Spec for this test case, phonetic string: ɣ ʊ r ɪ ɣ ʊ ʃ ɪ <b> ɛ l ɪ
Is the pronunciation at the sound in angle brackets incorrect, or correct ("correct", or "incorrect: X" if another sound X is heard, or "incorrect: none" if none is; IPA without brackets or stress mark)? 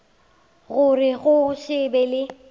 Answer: correct